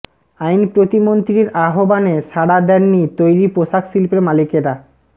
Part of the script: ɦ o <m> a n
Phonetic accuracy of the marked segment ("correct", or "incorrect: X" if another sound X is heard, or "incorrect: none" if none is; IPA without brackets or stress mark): incorrect: b